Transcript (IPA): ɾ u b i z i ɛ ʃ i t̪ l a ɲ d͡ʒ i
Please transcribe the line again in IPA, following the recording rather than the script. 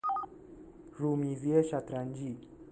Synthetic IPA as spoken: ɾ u m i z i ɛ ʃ a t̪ ɾ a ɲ d͡ʒ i